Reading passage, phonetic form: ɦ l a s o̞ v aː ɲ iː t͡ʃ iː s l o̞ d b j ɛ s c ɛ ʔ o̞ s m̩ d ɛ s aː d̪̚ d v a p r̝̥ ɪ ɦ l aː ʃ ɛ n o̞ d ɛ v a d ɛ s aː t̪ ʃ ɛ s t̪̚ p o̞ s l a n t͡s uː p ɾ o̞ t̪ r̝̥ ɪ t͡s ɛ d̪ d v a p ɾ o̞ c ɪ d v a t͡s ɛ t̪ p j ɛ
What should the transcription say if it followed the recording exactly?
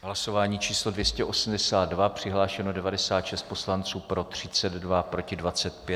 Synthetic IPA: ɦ l a s o̞ v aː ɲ iː t͡ʃ iː s l o̞ d v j ɛ s c ɛ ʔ o̞ s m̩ d ɛ s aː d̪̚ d v a p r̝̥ ɪ ɦ l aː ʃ ɛ n o̞ d ɛ v a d ɛ s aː t̪ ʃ ɛ s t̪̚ p o̞ s l a n t͡s uː p ɾ o̞ t̪ r̝̥ ɪ t͡s ɛ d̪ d v a p ɾ o̞ c ɪ d v a t͡s ɛ t̪ p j ɛ